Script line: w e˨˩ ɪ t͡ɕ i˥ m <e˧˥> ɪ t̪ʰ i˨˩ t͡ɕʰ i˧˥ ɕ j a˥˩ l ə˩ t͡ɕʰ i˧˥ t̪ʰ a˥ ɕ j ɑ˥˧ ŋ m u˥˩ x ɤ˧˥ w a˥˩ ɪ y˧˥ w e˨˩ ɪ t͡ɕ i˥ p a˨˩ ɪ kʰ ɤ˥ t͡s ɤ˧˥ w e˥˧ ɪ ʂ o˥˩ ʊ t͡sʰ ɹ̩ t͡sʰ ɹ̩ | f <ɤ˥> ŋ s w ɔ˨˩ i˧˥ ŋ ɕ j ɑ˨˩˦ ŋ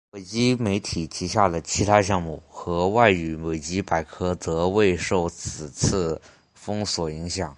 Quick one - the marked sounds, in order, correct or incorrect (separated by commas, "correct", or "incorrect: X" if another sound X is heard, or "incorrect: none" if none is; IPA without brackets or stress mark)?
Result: correct, correct